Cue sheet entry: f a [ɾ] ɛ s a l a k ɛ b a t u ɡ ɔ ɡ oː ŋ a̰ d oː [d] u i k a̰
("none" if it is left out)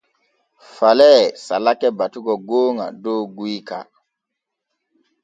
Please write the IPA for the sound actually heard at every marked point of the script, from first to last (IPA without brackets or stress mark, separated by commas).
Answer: l, ɡ